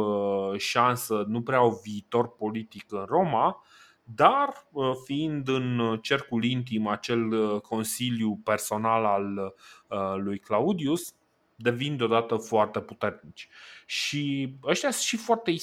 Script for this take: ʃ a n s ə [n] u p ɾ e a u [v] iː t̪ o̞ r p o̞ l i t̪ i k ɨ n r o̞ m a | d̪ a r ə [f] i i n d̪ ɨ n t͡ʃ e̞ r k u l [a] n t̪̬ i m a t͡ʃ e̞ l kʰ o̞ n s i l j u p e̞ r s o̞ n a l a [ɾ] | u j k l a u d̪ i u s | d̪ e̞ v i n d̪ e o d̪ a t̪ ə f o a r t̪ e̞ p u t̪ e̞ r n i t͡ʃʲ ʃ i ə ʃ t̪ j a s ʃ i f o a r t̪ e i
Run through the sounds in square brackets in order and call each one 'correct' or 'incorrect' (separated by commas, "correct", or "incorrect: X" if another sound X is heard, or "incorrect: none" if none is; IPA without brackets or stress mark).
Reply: correct, correct, correct, incorrect: i, incorrect: l